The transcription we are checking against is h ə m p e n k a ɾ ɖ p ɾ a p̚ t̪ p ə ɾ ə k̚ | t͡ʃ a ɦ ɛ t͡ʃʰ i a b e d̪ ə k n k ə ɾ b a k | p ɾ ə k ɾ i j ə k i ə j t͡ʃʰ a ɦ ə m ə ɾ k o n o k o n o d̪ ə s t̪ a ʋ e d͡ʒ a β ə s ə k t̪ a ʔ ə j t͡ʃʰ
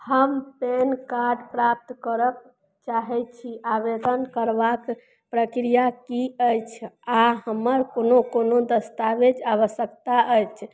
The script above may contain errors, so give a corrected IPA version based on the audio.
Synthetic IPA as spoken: h ə m p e n k a ɾ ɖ p ɾ a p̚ t̪ k ə ɾ ə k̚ | t͡ʃ a ɦ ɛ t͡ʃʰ i a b e d̪ ə n k ə ɾ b a k | p ɾ ə k ɾ i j a k i ə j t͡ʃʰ a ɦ ə m ə ɾ k o n o k o n o d̪ ə s t̪ a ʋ e d͡ʒ a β ə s ə k t̪ a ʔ ə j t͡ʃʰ